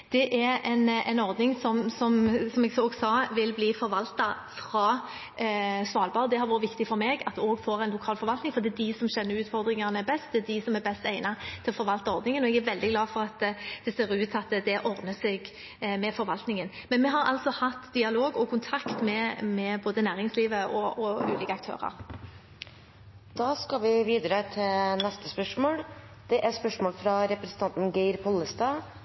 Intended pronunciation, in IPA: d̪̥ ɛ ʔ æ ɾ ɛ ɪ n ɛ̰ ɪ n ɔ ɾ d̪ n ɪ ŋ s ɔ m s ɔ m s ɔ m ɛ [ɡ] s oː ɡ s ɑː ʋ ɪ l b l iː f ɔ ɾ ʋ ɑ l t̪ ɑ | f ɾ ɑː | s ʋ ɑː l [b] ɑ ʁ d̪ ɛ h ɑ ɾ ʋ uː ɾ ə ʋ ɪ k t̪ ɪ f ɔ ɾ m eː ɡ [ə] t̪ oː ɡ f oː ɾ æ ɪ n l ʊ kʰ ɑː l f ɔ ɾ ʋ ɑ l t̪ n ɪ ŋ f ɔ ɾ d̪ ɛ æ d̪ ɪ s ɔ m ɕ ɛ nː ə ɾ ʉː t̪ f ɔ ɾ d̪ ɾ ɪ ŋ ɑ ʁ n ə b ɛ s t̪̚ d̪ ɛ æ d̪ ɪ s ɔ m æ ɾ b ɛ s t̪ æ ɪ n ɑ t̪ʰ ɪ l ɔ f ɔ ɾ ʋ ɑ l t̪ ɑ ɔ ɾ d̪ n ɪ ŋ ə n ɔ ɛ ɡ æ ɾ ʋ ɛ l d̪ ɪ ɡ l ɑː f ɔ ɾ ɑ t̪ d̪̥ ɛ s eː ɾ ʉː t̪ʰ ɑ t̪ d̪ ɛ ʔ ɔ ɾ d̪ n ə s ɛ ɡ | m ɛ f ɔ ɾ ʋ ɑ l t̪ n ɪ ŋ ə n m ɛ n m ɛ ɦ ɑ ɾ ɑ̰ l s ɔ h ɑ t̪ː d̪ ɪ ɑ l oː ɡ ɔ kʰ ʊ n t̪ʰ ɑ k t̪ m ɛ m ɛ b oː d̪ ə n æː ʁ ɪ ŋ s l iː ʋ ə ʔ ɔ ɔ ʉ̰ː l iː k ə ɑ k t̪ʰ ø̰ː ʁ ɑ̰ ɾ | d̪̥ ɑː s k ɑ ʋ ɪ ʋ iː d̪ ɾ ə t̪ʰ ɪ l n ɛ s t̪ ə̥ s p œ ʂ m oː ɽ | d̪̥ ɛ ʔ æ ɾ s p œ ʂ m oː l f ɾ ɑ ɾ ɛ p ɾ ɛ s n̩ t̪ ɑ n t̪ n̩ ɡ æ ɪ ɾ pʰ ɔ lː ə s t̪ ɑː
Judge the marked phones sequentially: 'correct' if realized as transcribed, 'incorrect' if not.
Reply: correct, correct, incorrect: ɑ

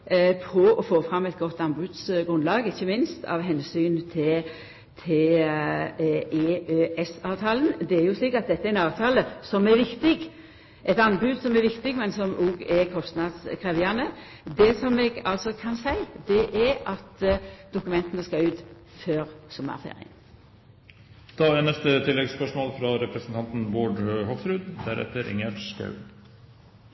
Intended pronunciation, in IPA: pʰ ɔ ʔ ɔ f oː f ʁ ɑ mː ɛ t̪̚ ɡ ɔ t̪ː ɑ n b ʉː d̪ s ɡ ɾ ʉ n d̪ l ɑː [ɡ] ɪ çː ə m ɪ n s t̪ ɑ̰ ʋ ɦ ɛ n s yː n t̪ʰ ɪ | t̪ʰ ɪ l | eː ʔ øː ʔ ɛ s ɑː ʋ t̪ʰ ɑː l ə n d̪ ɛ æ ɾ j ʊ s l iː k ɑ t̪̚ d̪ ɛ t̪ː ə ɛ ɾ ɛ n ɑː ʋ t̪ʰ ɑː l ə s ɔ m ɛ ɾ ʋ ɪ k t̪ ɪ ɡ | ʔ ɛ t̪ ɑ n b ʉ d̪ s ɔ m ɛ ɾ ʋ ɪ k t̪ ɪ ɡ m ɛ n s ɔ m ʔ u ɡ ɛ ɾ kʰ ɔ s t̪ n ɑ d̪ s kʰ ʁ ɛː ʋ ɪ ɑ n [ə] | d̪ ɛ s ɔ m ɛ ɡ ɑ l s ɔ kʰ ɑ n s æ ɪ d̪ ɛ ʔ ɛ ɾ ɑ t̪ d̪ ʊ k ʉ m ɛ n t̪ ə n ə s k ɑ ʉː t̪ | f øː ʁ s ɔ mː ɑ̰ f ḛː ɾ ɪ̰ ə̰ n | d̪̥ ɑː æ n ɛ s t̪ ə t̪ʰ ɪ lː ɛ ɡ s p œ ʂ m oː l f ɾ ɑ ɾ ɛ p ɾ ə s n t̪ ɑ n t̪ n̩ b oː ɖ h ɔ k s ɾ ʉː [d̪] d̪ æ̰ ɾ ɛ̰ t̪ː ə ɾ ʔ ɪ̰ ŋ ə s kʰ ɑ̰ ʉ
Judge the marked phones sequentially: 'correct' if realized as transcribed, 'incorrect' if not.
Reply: correct, correct, correct

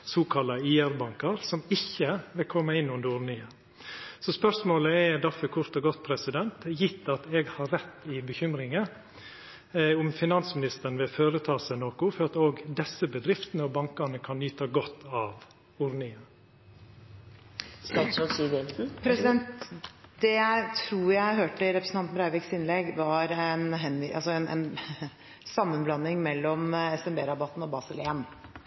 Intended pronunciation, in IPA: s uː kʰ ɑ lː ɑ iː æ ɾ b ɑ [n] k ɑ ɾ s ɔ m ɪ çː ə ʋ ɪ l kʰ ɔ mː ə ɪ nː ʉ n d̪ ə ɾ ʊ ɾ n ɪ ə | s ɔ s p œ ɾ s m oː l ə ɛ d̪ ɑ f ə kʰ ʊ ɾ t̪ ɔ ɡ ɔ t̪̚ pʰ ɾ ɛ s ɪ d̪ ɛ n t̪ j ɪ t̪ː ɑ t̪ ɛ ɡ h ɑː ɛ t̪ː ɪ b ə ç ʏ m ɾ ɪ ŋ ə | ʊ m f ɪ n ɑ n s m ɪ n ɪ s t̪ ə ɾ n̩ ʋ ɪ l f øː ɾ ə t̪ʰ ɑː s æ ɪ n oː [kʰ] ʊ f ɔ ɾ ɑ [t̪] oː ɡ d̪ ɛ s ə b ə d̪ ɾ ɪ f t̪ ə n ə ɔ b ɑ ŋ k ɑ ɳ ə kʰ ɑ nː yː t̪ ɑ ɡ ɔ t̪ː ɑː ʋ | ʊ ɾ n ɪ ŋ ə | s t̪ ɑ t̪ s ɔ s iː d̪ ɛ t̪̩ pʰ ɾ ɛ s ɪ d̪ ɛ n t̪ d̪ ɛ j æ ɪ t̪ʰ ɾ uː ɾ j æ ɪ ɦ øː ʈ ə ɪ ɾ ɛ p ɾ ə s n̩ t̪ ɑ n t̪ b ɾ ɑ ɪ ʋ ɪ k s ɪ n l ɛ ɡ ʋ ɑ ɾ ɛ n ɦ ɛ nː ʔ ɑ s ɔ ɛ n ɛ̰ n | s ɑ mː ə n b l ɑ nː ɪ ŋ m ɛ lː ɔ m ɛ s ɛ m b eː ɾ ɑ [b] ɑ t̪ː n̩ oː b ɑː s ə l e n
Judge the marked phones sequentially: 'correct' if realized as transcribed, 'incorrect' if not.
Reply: incorrect: ŋ, incorrect: k, correct, correct

